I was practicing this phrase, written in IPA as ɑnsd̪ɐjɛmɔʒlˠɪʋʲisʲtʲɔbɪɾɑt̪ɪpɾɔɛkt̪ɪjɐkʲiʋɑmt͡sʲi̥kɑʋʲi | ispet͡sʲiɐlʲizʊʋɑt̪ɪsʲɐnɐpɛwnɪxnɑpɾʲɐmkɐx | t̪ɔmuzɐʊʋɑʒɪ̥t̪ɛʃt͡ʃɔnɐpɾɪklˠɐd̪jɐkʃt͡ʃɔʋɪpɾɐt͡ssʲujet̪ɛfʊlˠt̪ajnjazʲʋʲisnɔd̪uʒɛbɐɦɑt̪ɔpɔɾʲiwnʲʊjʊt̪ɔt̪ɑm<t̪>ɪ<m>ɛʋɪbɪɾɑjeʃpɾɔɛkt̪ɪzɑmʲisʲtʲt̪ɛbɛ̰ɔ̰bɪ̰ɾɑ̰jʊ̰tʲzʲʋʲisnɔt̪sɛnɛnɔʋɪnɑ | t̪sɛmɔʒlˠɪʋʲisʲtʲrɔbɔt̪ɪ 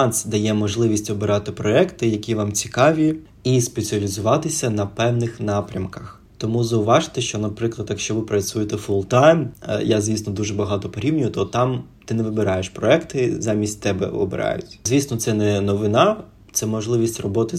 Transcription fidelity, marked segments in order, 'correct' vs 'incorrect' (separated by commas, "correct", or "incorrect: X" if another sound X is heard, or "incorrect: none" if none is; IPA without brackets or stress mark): correct, incorrect: n